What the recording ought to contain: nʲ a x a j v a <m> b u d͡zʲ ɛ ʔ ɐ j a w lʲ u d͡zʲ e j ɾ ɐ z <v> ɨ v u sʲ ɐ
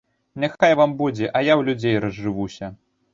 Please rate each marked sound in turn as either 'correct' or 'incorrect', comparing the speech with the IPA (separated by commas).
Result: correct, incorrect